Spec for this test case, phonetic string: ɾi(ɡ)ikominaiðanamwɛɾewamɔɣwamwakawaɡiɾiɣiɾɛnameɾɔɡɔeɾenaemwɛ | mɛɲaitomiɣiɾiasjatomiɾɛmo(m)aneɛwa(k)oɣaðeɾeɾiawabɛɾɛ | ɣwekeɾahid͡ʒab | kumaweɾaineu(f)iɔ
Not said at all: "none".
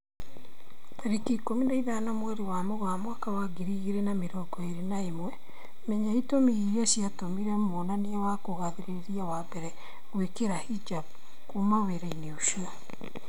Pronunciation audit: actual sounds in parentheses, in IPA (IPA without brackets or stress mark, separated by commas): k, n, k, ʃ